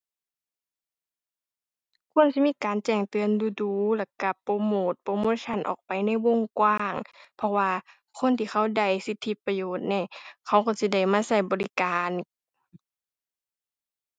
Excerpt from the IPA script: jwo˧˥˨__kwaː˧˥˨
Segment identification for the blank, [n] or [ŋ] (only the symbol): ŋ